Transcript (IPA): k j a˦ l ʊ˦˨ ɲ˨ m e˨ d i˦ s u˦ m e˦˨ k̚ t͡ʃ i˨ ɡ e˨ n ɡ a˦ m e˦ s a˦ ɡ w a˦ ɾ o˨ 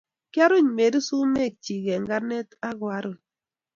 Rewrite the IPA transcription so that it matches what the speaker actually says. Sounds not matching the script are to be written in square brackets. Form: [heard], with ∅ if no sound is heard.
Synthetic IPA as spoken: k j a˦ [ɾ] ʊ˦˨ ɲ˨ m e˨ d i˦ s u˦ m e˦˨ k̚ t͡ʃ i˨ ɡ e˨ [ŋ] ɡ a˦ [n] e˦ [t] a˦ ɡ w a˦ ɾ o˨